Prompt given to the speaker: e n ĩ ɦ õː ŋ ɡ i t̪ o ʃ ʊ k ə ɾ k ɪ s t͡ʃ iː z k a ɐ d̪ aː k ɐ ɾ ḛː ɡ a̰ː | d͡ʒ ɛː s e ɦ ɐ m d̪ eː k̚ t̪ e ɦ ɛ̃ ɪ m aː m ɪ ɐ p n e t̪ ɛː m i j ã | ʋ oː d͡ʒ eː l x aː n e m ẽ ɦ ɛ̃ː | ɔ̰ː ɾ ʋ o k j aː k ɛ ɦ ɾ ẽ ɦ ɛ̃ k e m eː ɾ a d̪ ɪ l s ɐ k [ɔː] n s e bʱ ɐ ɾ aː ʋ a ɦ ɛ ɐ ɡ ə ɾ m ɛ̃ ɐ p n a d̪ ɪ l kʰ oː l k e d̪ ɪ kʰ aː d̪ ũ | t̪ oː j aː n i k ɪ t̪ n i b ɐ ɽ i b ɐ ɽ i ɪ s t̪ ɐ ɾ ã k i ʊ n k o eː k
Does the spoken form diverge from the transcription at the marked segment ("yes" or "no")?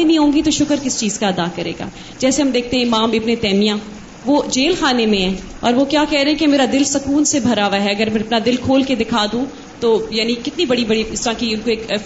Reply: yes